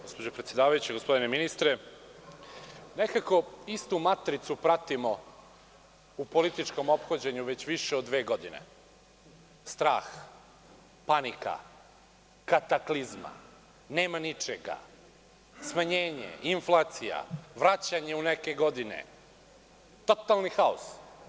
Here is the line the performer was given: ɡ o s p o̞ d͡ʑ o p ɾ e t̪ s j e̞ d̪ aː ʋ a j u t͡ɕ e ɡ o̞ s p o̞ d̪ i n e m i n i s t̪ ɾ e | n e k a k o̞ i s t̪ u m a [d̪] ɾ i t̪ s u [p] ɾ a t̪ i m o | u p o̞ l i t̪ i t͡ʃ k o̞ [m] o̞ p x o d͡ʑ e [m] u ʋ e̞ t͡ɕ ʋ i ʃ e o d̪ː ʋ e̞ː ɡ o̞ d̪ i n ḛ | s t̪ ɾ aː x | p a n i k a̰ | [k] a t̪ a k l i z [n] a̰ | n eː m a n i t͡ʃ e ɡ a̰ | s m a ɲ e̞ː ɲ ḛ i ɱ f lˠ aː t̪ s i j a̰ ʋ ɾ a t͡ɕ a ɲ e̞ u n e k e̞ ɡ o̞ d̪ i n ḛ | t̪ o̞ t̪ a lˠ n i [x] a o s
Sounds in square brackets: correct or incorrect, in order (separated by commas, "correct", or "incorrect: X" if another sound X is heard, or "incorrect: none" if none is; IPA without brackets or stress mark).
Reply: incorrect: t̪, correct, correct, incorrect: ɲ, correct, incorrect: m, correct